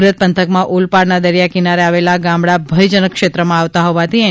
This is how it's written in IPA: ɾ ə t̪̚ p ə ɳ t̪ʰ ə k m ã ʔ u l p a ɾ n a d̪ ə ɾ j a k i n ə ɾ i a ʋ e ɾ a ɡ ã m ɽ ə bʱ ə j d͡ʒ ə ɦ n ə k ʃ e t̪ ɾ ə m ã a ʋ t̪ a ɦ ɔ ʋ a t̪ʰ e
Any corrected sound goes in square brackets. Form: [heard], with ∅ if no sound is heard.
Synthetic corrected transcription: ɾ ə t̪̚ p ə [n] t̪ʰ ə k m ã ʔ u l p a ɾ n a d̪ ə ɾ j a k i n [a] ɾ [e] a ʋ e [l] a ɡ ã m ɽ [a] bʱ ə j d͡ʒ ə [∅] n ə k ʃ e t̪ ɾ ə m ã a ʋ t̪ a ɦ ɔ ʋ a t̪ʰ [i]